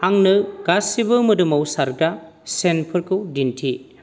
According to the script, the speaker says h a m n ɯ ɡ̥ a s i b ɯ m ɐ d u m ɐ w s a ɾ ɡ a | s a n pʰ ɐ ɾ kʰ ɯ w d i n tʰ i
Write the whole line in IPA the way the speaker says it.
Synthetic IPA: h a ŋ n ɯ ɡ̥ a s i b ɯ m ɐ d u m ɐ w s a ɾ ɡ a | s e n pʰ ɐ ɾ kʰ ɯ w d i n tʰ i